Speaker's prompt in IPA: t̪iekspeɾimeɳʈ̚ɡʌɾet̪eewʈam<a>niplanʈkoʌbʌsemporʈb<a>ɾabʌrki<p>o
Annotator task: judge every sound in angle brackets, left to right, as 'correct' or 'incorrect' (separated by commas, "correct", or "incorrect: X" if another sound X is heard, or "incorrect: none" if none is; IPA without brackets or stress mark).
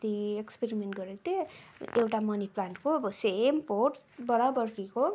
incorrect: ʌ, incorrect: ʌ, incorrect: k